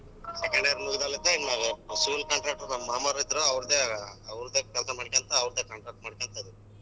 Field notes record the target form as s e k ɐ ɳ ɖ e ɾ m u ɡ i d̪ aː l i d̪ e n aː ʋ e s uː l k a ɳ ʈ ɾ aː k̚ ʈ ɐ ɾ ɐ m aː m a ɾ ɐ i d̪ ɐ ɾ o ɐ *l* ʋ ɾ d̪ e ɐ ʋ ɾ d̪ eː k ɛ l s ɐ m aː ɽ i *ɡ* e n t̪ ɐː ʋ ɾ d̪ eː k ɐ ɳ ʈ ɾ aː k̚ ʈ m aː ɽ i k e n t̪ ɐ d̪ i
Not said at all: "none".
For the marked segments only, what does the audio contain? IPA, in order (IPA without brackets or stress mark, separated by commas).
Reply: none, k